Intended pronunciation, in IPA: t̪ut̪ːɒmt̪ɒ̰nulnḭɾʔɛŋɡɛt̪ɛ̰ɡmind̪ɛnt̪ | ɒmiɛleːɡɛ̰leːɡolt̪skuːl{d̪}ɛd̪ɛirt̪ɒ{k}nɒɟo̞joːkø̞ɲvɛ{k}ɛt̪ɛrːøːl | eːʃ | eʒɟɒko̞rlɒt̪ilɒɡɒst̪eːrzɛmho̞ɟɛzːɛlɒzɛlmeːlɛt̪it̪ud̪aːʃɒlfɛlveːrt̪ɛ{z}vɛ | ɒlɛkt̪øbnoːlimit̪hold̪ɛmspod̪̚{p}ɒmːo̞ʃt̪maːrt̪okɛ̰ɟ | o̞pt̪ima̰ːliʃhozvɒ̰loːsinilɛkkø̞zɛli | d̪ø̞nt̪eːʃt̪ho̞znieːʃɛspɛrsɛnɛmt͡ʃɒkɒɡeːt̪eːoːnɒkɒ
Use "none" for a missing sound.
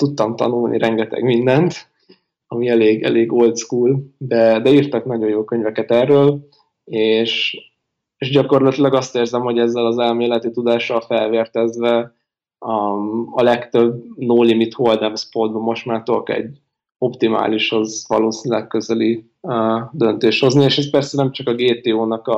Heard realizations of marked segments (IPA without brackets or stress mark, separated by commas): d̪, k, k, z, b